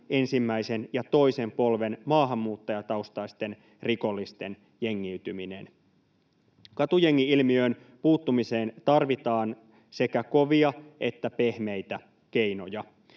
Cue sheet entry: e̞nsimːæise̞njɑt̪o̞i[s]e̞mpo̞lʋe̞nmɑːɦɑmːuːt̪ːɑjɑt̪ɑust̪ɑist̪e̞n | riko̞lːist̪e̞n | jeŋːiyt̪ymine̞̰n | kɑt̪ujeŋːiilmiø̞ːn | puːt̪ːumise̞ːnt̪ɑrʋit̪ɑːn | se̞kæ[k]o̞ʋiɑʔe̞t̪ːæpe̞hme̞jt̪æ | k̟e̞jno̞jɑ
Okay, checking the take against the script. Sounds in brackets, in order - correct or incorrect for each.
correct, correct

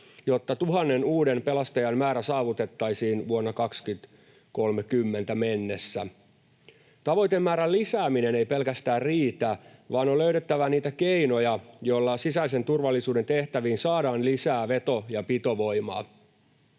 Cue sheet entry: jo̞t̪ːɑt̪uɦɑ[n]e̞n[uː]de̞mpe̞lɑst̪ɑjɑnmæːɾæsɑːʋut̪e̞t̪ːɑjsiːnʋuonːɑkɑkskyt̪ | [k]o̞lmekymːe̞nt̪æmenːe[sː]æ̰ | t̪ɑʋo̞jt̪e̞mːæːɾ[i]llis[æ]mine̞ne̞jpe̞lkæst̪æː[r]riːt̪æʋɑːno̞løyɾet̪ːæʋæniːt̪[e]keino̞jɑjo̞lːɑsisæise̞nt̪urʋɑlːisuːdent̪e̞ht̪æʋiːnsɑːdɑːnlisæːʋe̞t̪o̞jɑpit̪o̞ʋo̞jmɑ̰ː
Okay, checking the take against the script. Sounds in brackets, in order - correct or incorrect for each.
incorrect, correct, correct, correct, incorrect, incorrect, correct, incorrect

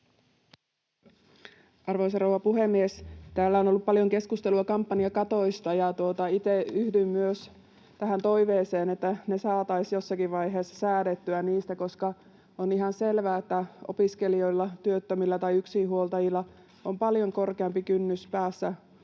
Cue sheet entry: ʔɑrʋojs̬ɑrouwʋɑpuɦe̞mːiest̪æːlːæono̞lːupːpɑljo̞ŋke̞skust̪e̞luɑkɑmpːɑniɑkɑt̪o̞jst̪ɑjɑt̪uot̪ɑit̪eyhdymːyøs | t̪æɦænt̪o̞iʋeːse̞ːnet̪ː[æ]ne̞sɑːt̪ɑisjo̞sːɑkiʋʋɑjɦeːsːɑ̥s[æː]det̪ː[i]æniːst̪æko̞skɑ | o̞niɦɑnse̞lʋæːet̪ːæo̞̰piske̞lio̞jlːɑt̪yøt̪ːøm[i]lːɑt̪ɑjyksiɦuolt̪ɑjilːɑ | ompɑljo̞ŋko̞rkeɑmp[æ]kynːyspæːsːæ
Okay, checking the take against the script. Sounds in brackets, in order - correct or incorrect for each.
correct, correct, incorrect, correct, incorrect

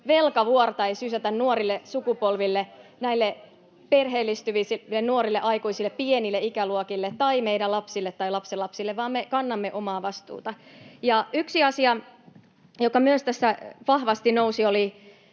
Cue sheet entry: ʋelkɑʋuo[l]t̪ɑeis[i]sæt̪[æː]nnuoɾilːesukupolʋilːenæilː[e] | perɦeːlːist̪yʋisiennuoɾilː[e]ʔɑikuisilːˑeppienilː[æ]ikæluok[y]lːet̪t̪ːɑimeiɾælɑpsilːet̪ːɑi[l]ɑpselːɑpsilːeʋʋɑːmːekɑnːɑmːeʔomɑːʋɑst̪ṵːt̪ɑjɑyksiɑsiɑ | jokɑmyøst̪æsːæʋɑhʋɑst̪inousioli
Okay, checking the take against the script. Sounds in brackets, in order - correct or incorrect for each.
incorrect, incorrect, incorrect, correct, correct, incorrect, incorrect, correct

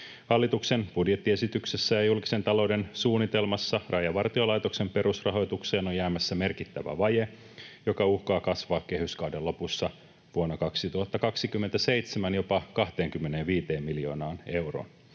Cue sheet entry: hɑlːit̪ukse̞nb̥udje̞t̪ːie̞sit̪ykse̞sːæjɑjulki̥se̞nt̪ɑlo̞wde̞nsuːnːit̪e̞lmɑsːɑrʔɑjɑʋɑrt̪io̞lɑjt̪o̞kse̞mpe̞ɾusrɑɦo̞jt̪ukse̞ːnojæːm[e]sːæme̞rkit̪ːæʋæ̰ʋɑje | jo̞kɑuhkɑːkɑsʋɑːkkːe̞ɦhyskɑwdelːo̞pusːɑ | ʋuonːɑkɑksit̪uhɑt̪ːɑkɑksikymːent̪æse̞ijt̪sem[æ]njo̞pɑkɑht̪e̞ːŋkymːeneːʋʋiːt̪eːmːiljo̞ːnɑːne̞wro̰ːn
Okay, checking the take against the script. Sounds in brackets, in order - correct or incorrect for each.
incorrect, correct

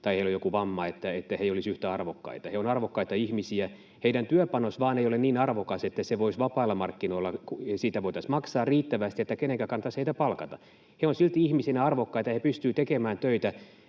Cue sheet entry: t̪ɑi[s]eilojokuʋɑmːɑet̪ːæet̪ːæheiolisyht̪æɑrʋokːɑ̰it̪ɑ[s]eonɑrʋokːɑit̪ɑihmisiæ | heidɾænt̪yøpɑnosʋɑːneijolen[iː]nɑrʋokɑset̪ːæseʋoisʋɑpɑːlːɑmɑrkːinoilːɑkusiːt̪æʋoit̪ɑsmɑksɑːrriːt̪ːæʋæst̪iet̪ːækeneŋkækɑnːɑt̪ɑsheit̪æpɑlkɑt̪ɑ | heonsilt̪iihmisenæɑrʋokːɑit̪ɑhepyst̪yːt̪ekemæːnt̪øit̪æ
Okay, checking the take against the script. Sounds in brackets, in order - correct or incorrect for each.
incorrect, incorrect, correct

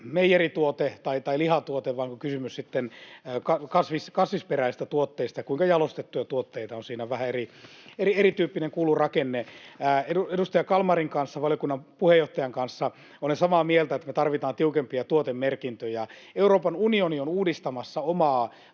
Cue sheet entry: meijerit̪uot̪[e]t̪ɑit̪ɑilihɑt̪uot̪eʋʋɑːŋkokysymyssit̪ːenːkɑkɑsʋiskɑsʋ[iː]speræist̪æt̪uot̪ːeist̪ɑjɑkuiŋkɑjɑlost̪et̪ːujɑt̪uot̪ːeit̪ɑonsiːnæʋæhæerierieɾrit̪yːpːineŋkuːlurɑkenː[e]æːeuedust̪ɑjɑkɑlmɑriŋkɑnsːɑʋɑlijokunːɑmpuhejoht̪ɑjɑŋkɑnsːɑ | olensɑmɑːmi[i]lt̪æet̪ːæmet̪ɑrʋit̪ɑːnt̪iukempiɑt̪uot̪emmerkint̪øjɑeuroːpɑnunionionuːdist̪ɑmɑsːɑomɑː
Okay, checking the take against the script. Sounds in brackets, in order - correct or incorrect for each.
correct, incorrect, correct, incorrect

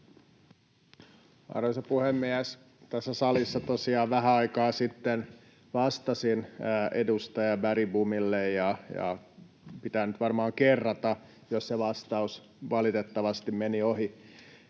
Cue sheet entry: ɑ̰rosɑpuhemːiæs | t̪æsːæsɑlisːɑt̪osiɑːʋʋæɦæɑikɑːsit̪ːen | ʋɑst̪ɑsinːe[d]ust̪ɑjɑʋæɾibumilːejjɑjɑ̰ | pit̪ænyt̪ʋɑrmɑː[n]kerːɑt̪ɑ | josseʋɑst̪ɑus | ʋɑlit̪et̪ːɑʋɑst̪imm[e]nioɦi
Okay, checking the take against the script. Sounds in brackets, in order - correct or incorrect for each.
correct, incorrect, correct

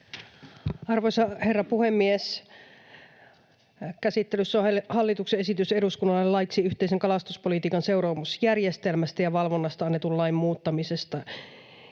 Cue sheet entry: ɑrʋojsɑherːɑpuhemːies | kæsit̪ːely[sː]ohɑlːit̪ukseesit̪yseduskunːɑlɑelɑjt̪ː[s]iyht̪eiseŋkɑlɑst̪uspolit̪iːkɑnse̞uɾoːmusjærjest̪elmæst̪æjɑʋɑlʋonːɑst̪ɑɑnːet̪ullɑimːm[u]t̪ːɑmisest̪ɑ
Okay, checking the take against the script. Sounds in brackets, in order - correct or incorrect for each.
correct, correct, incorrect

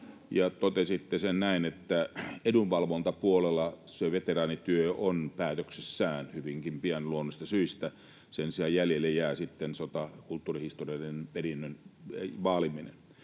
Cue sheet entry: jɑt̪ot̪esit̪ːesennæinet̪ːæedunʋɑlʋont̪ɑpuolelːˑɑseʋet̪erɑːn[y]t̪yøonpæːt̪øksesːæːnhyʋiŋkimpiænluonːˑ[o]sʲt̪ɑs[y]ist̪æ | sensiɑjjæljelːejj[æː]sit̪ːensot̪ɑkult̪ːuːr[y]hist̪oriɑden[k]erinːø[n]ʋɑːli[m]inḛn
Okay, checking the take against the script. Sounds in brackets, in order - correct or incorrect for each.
incorrect, correct, correct, correct, incorrect, incorrect, correct, correct

